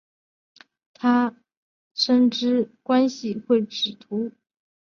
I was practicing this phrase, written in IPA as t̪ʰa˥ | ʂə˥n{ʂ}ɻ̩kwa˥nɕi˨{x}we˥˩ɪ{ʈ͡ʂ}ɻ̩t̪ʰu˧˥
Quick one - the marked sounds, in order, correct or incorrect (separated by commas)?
incorrect, correct, correct